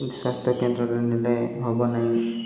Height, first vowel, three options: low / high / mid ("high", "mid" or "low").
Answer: low